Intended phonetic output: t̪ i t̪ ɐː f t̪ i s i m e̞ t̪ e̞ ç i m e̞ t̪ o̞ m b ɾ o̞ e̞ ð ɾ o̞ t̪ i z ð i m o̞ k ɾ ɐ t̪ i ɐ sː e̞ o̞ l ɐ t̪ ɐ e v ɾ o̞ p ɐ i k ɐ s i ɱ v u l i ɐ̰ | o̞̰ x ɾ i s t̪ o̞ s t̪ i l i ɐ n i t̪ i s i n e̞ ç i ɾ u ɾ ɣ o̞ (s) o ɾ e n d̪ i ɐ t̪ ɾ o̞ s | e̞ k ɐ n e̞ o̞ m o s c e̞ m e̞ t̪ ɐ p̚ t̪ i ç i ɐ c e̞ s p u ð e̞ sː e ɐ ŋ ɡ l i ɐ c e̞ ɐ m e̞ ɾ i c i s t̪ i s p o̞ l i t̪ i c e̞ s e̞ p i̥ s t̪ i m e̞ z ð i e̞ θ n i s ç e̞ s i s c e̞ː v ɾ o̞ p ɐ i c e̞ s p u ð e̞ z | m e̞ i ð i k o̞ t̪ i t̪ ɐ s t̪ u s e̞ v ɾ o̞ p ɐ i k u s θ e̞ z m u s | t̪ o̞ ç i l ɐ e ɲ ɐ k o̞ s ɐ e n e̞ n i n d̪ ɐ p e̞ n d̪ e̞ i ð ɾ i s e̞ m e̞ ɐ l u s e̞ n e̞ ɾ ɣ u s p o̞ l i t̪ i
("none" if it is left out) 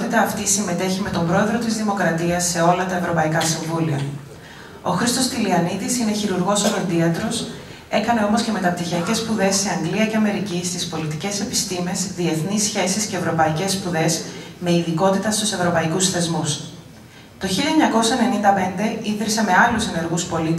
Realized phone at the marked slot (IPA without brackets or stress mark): s